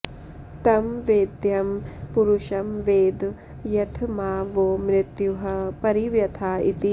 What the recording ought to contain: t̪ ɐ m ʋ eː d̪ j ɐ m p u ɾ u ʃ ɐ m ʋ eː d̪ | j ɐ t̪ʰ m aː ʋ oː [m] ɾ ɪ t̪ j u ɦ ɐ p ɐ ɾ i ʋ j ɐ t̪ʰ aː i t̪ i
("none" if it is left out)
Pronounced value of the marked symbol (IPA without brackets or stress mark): m